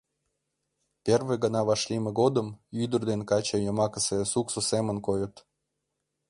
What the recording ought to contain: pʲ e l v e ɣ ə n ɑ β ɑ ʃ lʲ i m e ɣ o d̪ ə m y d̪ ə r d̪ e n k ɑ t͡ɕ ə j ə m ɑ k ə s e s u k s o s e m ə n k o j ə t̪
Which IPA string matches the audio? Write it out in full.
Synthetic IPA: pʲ e r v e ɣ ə n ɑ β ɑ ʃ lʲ i m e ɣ o d̪ ə m y d̪ ə r d̪ e n k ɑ t͡ɕ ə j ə m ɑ k ə s e s u k s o s e m ə n k o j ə t̪

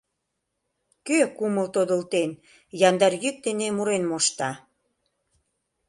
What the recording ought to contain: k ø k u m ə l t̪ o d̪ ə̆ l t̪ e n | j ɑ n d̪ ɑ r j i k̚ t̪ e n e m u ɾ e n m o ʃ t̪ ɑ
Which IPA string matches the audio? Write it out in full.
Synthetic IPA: k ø k u m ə l t̪ o d̪ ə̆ l t̪ e n | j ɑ n d̪ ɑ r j y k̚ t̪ e n e m u ɾ e n m o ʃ t̪ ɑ

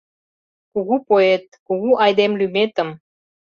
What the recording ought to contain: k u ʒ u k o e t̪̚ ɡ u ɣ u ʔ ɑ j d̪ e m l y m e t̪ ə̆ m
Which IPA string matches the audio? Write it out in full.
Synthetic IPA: k u ɣ u p o e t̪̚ k u ɣ u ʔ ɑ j d̪ e m l y m e t̪ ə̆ m

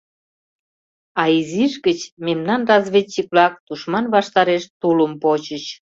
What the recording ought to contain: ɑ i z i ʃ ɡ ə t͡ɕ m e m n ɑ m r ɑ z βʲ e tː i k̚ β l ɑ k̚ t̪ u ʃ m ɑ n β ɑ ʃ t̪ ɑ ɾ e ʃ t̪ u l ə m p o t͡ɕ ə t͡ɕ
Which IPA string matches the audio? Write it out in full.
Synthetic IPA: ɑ i z i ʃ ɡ ə t͡ɕ m e m n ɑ n r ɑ z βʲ e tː i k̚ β l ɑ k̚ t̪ u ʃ m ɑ n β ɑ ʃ t̪ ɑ ɾ e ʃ t̪ u l ə m p o t͡ɕ ə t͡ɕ

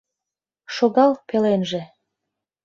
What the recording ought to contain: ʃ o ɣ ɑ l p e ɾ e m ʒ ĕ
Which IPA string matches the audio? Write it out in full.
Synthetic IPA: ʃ o ɣ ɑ l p e l e n ʒ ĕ

